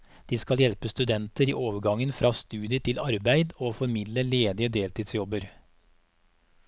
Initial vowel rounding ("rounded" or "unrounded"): unrounded